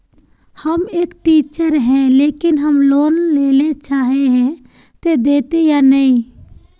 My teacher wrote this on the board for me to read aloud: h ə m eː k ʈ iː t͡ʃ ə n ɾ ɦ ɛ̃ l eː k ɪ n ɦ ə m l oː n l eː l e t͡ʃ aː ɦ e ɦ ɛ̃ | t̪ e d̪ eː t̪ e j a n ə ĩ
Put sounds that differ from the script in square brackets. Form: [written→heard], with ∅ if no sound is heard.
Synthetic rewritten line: h ə m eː k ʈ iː t͡ʃ ə [n→∅] ɾ ɦ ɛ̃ l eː k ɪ n ɦ ə m l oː n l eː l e t͡ʃ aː ɦ e ɦ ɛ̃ | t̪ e d̪ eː t̪ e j a n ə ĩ